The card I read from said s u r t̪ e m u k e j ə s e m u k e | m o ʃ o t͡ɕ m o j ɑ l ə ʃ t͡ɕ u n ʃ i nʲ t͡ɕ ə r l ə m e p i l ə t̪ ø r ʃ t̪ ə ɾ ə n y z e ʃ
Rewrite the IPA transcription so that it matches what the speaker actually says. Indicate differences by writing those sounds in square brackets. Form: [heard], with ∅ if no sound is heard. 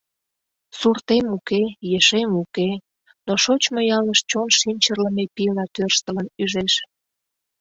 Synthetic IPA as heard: s u r t̪ e m u k e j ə [ʃ] e m u k e | [n] o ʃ o t͡ɕ m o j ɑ l ə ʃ t͡ɕ [o] n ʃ i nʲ t͡ɕ ə r l ə m e p i l [ɑ] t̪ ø r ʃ t̪ ə [l] ə n y [ʒ] e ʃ